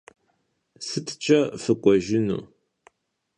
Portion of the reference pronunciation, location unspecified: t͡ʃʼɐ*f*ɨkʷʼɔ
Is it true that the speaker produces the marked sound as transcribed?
yes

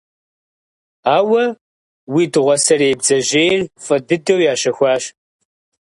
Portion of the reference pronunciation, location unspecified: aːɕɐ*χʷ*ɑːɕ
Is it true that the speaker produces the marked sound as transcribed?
no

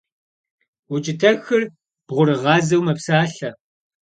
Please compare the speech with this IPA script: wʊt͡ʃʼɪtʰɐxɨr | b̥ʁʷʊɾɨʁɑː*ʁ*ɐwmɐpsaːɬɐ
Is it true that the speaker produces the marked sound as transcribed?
no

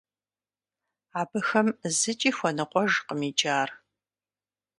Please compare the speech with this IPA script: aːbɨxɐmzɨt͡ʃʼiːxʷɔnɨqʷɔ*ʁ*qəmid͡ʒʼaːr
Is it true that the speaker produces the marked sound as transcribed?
no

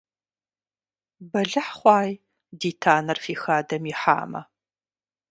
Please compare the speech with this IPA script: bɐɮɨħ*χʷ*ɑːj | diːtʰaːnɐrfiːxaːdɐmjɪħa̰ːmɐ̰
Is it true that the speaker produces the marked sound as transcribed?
yes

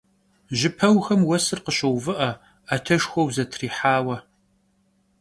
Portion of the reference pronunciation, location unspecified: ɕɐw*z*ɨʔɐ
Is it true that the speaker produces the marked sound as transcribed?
no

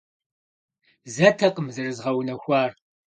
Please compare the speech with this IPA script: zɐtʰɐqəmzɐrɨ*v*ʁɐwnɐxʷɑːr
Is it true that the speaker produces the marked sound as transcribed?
no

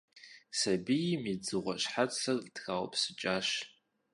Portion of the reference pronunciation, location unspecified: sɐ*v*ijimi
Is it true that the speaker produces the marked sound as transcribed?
no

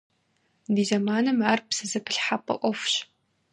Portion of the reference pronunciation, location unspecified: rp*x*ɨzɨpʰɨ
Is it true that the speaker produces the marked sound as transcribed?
no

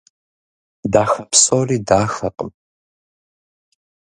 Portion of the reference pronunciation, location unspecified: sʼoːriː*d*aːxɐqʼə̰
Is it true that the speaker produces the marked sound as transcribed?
yes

